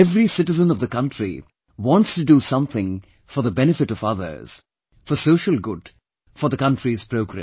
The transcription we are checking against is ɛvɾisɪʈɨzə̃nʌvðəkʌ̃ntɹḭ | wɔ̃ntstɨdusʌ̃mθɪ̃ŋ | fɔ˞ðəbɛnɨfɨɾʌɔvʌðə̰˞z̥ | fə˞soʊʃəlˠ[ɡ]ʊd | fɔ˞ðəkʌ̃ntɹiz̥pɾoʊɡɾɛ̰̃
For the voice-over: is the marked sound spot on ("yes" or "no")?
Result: yes